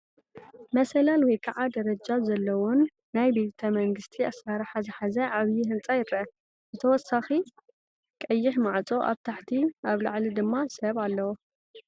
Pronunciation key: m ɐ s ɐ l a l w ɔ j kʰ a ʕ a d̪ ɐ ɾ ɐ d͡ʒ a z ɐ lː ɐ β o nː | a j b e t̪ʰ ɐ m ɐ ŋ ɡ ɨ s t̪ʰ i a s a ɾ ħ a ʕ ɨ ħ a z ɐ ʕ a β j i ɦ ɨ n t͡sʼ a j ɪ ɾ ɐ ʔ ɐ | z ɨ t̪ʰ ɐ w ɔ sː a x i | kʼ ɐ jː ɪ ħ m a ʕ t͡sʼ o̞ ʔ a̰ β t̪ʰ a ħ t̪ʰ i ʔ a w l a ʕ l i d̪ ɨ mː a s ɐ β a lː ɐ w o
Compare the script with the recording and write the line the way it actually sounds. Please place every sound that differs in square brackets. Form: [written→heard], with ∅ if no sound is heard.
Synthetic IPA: m ɐ s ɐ l a l w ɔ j kʰ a ʕ a d̪ ɐ ɾ ɐ d͡ʒ a z ɐ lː ɐ [β→w] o nː | a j b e t̪ʰ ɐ m ɐ ŋ ɡ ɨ s t̪ʰ i a s a ɾ ħ a [ʕ→z] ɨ ħ a z ɐ ʕ a β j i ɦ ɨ n t͡sʼ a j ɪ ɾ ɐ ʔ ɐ | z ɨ t̪ʰ ɐ w ɔ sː a x i | kʼ ɐ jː ɪ ħ m a ʕ t͡sʼ o̞ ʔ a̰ β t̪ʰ a ħ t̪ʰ i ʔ a [w→β] l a ʕ l i d̪ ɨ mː a s ɐ β a lː ɐ w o